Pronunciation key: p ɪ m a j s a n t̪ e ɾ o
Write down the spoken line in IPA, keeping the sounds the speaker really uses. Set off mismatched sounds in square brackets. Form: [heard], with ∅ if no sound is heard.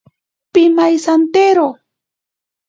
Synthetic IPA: p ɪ m a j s a n t̪ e ɾ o